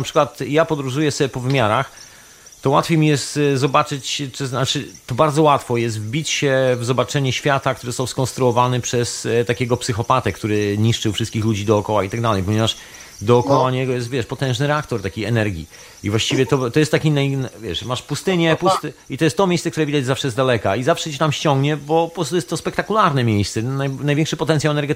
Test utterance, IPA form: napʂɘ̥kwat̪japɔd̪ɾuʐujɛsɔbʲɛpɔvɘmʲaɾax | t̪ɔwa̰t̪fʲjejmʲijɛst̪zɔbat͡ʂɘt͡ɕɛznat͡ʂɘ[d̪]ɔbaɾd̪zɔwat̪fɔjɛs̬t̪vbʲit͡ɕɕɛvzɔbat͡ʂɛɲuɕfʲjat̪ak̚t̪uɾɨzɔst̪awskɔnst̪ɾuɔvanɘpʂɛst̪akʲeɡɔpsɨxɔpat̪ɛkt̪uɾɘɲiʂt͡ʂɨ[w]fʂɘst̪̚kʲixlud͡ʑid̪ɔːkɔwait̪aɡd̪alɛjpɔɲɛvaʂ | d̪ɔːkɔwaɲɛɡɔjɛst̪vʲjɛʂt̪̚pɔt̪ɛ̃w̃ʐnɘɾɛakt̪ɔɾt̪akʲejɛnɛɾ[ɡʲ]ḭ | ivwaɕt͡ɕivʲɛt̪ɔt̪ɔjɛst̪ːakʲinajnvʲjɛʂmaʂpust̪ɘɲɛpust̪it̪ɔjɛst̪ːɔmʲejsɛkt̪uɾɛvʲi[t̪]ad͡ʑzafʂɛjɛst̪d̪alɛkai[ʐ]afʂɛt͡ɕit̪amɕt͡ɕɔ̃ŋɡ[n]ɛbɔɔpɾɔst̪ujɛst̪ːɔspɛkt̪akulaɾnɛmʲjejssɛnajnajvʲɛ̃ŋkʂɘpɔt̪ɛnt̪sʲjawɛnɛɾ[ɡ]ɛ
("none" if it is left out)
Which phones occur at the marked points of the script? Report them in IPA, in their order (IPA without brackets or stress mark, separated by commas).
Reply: t̪, w, ɡʲ, d̪, z, ɲ, ɡ